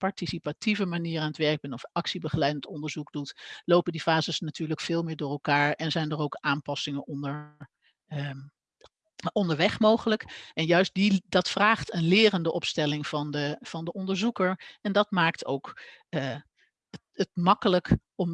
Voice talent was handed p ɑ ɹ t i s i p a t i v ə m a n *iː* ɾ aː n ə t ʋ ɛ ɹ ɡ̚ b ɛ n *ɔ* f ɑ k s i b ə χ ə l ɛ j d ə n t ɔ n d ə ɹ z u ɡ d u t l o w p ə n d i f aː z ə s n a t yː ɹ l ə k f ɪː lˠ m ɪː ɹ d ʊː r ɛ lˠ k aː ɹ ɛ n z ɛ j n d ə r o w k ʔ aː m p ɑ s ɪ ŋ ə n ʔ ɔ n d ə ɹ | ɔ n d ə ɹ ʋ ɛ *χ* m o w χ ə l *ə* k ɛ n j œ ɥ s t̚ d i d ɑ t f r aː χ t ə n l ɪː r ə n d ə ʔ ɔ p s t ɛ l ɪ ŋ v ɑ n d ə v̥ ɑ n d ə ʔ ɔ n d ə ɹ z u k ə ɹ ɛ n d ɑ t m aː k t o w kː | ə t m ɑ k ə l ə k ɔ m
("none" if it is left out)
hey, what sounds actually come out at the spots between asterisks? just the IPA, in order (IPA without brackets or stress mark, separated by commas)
iː, ɔ, χ, ə